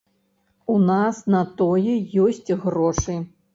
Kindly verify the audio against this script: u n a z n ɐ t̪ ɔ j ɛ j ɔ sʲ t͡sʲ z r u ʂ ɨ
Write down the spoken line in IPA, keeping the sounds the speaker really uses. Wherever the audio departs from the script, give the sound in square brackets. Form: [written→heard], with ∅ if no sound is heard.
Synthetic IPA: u n a [z→s] n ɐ t̪ ɔ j ɛ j ɔ sʲ t͡sʲ [z→ɣ] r [u→ɔ] ʂ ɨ